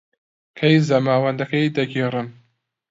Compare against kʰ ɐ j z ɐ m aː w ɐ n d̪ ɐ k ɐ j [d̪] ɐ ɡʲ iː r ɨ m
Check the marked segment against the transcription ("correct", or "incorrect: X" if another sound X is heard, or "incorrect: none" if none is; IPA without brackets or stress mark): correct